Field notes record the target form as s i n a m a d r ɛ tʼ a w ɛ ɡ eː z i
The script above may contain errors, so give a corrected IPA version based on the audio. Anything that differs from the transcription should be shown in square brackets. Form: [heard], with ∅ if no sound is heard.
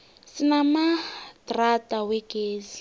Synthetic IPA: s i n a m a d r [a] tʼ a w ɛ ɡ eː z i